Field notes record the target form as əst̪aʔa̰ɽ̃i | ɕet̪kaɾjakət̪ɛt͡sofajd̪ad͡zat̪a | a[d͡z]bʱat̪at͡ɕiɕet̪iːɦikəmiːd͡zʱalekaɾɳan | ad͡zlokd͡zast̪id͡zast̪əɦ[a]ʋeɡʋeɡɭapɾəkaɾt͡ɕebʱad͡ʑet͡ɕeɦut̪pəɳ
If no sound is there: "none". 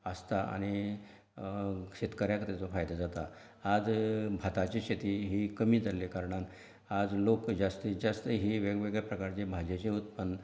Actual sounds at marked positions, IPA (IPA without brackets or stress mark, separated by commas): d͡z, i